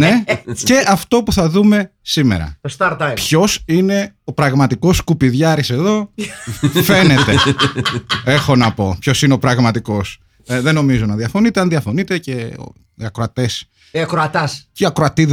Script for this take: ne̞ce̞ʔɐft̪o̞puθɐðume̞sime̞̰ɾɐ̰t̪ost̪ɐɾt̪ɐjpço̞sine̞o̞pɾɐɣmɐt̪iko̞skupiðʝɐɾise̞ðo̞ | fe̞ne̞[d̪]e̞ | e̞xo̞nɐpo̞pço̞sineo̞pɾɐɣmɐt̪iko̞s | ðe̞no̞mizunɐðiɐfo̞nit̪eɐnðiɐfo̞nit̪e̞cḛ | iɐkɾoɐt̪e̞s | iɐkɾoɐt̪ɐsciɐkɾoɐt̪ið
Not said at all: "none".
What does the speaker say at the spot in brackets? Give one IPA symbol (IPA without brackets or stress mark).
t̪